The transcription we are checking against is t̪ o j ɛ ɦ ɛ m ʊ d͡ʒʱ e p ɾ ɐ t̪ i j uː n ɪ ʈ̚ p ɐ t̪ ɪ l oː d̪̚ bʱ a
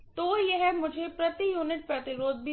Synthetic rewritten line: t̪ o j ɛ ɦ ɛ m ʊ d͡ʒʱ e p ɾ ɐ t̪ i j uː n ɪ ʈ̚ p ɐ t̪ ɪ ɾ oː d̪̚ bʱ i